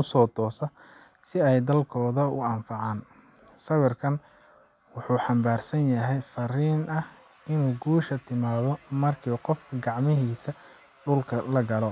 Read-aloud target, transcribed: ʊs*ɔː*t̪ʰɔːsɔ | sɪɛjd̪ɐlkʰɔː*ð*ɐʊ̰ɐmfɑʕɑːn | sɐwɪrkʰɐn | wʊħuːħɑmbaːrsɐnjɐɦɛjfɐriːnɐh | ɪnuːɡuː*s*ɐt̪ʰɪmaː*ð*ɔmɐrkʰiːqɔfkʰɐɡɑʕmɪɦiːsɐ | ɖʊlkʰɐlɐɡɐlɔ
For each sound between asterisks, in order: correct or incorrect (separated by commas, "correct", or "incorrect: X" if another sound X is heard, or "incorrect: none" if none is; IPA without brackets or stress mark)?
correct, correct, incorrect: ʃ, correct